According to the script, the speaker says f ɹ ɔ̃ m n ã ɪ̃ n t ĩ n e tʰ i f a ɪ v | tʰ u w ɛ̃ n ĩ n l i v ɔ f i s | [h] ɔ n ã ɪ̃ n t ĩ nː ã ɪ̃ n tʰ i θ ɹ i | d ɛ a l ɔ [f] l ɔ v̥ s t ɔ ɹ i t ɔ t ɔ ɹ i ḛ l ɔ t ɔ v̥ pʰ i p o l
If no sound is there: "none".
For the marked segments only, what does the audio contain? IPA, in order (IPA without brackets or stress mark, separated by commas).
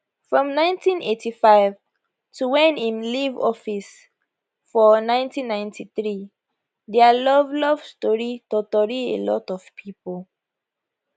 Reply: f, v